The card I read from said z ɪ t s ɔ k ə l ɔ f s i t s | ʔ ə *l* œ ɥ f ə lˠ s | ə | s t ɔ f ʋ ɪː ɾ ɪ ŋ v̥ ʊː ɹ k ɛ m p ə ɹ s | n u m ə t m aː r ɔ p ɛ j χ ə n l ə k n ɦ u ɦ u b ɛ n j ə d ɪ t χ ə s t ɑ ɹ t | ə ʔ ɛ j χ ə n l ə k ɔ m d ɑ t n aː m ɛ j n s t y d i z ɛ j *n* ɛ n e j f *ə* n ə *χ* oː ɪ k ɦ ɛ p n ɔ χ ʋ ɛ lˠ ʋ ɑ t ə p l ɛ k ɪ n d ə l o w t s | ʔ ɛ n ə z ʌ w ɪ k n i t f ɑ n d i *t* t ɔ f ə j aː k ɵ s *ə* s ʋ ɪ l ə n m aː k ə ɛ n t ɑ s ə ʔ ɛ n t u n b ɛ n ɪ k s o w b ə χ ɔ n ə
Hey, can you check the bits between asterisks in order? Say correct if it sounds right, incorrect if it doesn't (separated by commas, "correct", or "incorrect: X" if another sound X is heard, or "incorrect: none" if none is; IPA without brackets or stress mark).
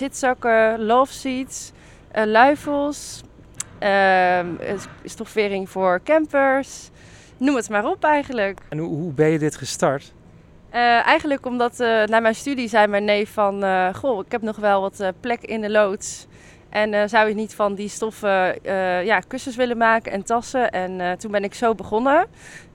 correct, incorrect: m, incorrect: ɑ, correct, incorrect: s, correct